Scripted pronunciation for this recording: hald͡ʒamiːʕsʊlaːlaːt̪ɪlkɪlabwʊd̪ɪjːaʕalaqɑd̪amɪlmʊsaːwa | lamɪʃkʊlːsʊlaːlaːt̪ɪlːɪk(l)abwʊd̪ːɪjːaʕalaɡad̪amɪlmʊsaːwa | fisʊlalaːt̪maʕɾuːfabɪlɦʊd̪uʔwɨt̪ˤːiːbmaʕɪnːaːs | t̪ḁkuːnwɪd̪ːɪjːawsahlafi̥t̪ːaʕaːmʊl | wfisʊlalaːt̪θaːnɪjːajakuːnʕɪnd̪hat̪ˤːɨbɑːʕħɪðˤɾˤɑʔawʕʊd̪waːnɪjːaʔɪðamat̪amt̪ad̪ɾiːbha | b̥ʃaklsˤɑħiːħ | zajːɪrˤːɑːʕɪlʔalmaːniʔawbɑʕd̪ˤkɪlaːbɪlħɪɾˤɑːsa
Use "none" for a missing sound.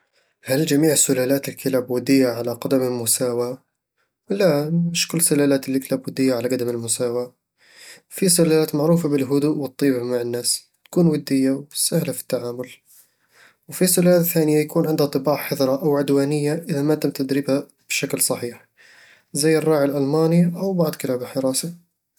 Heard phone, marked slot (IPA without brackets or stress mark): l